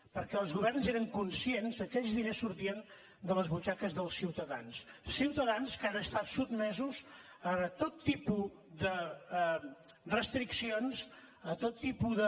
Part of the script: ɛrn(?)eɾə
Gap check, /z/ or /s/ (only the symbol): z